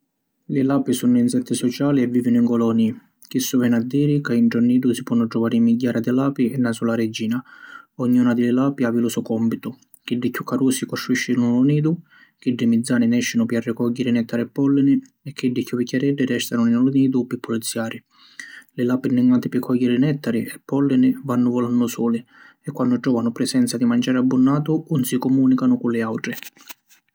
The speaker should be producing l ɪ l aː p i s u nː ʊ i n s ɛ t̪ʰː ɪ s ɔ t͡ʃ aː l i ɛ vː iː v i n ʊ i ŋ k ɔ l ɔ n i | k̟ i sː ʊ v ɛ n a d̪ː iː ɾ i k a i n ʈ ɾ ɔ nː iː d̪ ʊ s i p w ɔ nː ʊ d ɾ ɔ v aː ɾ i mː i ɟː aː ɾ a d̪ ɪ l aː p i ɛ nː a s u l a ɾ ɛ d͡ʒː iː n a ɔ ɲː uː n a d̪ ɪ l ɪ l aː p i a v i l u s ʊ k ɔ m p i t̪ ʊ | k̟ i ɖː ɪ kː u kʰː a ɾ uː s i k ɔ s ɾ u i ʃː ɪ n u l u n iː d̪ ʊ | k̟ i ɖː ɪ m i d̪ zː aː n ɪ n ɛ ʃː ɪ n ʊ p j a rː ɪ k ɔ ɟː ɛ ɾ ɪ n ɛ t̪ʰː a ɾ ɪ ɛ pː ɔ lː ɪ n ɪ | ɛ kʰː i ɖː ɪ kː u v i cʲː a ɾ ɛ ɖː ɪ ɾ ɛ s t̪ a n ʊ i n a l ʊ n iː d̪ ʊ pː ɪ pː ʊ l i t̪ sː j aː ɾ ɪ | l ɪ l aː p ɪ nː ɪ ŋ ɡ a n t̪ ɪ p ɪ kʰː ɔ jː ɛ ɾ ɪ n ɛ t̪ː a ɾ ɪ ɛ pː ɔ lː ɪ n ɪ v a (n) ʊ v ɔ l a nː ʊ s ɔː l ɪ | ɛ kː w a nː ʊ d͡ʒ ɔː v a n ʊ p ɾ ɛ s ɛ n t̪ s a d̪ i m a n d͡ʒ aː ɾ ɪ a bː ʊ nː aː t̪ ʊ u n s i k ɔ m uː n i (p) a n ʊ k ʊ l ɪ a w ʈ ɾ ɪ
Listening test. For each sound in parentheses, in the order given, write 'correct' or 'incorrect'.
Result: incorrect: nː, incorrect: k

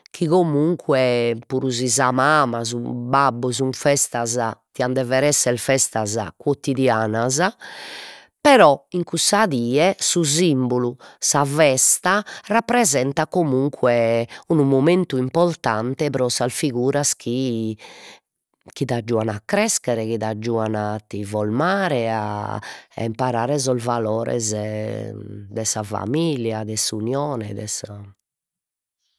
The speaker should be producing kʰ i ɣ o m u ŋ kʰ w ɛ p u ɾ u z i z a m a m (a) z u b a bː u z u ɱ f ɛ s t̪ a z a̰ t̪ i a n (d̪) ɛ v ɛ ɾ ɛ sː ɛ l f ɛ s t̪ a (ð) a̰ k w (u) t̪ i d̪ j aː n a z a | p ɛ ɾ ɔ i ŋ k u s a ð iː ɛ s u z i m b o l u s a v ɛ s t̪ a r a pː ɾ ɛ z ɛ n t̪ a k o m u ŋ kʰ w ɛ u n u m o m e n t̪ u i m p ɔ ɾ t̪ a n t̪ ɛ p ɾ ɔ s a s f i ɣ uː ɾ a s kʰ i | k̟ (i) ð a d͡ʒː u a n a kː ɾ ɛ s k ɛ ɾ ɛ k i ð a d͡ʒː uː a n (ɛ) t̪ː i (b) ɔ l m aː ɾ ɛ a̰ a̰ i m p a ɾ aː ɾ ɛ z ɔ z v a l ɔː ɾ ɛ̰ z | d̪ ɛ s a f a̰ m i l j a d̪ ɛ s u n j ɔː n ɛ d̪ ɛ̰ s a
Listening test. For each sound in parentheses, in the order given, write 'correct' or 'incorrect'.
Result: correct, correct, incorrect: z, incorrect: o, correct, incorrect: a, incorrect: v

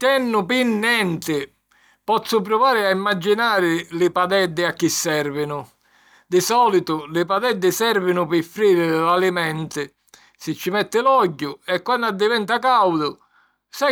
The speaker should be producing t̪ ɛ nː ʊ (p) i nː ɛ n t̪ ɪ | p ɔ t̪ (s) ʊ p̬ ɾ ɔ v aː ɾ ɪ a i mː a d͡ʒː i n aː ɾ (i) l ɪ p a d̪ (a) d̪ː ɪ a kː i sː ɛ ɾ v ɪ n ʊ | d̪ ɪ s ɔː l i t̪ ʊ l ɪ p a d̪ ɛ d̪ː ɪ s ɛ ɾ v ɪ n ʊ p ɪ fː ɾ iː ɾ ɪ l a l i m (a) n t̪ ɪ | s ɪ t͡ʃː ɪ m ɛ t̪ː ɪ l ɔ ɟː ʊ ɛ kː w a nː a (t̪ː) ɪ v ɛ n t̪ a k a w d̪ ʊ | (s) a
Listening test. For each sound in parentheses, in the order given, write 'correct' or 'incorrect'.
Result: correct, incorrect: sː, incorrect: ɪ, incorrect: ɛ, incorrect: ɛ, incorrect: d̪ː, correct

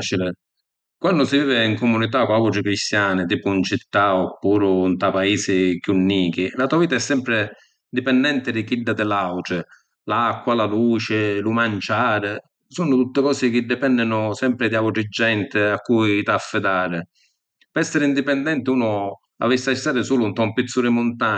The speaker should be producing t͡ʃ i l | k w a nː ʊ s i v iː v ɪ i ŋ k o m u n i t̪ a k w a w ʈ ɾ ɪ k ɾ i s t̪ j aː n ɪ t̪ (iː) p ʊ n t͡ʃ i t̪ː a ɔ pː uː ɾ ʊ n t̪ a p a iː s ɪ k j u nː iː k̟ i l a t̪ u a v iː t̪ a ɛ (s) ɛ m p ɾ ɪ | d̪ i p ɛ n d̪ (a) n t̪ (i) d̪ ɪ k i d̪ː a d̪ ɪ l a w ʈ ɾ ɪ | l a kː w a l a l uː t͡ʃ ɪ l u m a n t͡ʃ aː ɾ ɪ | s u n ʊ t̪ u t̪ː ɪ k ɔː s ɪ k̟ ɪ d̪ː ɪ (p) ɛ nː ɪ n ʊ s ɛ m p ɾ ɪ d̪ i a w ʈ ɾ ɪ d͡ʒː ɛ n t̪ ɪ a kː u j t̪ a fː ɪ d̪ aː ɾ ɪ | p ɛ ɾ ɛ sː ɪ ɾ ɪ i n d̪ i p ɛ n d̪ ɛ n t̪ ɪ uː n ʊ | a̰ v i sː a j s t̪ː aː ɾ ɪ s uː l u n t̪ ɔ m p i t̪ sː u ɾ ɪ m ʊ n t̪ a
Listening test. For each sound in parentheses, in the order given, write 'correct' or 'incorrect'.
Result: correct, incorrect: sː, incorrect: ɛ, incorrect: ɪ, correct

